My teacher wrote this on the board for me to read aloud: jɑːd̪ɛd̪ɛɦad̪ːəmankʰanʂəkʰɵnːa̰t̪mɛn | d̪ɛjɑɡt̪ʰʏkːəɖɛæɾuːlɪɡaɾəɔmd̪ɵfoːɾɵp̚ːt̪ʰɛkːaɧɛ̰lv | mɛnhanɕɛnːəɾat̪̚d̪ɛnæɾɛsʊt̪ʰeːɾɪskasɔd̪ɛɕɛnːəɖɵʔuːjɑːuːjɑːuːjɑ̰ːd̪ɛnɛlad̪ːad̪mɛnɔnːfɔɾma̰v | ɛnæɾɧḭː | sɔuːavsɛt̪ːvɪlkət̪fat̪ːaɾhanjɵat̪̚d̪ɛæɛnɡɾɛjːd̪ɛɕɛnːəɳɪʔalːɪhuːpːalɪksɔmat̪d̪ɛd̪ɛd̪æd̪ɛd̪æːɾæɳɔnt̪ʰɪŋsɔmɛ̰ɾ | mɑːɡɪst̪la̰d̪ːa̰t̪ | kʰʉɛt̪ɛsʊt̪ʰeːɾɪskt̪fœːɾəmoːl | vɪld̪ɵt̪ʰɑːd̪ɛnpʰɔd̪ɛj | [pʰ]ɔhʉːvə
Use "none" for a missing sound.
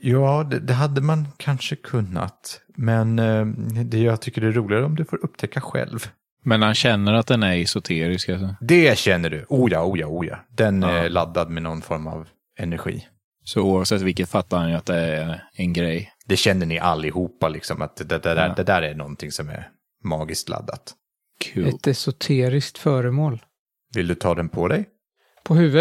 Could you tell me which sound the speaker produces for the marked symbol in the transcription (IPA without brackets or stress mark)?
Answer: pʰ